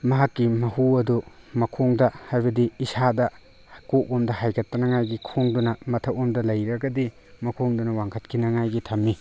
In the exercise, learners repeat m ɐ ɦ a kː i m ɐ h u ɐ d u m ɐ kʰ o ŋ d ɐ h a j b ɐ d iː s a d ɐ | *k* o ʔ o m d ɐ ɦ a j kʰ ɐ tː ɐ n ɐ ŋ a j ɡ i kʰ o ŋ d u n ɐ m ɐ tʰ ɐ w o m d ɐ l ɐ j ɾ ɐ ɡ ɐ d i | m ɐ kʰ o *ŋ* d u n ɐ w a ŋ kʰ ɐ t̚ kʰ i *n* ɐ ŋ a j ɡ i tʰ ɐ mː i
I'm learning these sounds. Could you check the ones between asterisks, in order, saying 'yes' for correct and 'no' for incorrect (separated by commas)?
yes, yes, yes